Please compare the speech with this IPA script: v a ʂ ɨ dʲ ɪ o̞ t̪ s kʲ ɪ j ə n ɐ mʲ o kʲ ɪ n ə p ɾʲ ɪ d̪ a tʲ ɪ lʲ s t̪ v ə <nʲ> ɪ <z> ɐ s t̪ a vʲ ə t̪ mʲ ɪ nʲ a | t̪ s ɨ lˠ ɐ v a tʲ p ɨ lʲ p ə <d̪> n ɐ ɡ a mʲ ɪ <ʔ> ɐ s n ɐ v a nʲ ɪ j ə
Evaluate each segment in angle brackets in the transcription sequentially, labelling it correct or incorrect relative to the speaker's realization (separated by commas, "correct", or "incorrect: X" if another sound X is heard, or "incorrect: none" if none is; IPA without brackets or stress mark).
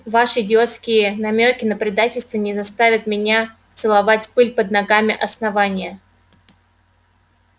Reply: correct, correct, correct, correct